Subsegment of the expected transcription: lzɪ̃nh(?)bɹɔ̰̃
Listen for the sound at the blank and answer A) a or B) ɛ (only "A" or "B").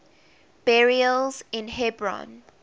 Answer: B